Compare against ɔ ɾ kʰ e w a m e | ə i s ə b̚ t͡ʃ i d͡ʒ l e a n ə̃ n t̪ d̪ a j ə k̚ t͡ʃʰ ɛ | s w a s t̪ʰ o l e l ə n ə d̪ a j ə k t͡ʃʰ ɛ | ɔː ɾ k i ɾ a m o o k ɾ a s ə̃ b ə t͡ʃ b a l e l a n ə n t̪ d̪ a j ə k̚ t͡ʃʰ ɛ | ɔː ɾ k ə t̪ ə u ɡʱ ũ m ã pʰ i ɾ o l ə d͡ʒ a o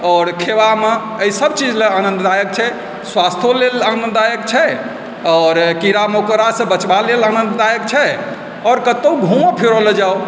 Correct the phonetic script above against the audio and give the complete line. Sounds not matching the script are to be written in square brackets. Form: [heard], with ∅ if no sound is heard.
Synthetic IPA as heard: ɔ ɾ kʰ e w a m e | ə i s ə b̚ t͡ʃ i d͡ʒ l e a n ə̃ n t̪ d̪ a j ə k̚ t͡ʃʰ ɛ | s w a s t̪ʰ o l e l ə n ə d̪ a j ə k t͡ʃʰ ɛ | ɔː ɾ k i ɾ a m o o k ɾ a s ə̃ b ə t͡ʃ b a l e l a n ə n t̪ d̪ a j ə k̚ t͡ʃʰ ɛ | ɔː ɾ k ə t̪ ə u ɡʱ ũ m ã pʰ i ɾ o l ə d͡ʒ a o